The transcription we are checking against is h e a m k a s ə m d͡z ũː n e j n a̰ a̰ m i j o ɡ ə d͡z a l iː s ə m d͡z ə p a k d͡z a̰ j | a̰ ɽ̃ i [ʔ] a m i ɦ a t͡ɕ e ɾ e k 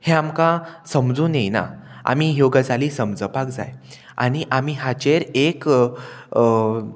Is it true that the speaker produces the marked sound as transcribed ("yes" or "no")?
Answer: yes